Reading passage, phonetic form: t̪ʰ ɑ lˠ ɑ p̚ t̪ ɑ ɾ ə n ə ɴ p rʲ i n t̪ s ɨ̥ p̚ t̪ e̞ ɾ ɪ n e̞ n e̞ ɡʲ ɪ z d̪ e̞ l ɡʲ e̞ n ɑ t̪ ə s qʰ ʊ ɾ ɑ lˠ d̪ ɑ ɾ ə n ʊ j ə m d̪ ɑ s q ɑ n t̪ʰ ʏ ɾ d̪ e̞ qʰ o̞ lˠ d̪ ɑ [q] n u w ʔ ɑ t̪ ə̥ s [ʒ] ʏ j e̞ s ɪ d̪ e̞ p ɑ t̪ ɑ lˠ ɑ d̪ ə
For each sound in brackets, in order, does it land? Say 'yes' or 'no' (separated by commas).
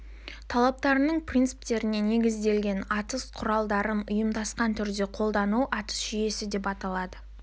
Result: no, yes